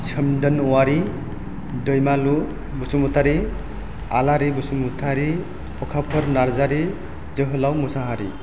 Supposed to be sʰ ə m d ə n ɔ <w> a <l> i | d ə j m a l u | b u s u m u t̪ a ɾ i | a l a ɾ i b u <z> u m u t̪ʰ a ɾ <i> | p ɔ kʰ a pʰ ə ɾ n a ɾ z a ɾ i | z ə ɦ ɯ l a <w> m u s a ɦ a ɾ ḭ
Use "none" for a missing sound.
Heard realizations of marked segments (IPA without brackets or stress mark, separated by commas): w, ɾ, s, i, w